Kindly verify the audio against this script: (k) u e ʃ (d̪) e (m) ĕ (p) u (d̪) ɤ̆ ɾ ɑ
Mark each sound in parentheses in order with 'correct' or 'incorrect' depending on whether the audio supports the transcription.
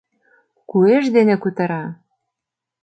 correct, correct, incorrect: n, incorrect: k, incorrect: t̪

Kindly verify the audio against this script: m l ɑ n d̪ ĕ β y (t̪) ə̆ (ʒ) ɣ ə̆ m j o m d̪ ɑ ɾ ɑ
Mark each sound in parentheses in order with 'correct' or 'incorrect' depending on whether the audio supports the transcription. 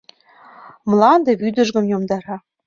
incorrect: d̪, correct

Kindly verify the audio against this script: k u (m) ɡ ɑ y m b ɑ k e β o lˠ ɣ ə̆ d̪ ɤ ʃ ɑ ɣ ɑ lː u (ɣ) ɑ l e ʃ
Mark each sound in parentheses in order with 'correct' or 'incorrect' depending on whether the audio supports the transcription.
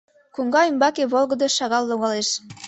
incorrect: ŋ, correct

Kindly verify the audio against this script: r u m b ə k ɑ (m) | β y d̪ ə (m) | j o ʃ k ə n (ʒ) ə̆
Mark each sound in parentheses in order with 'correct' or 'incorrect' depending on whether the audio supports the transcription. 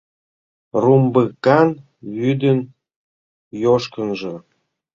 incorrect: n, incorrect: n, correct

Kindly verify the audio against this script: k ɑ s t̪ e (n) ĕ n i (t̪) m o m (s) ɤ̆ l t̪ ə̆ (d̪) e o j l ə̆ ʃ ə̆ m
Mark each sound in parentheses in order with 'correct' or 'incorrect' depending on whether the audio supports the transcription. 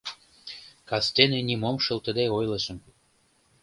correct, incorrect: none, incorrect: ʃ, correct

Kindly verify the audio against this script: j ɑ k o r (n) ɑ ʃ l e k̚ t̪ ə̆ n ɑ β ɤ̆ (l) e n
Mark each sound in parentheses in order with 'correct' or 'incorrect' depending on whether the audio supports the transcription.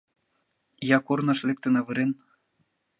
correct, incorrect: ɾ

